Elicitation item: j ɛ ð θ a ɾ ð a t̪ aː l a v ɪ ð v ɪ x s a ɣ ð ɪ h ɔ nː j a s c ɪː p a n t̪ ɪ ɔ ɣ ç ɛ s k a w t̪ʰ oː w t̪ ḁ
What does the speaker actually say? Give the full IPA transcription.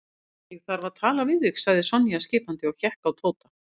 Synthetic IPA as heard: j ɛ ɣ θ a ɾ v a t̪ʰ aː l a v ɪ ð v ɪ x s a ɣ ð ɪ s ɔ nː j a s c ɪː p a n t̪ ɪ ɔ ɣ ç ɛ h k a w t̪ʰ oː w t̪ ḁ

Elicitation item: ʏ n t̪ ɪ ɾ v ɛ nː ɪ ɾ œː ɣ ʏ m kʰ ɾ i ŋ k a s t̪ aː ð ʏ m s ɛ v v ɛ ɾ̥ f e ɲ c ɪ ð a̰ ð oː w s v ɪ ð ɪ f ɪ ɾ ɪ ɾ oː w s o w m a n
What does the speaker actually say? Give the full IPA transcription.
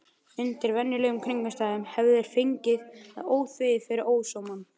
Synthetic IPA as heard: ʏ n t̪ ɪ ɾ v ɛ nː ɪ l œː ɣ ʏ m kʰ ɾ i ŋ k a s t̪ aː ð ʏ m h ɛ v ð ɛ ɾ̥ f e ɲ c ɪ ð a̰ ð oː w θ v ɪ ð ɪ f ɪ ɾ ɪ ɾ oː w s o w m a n

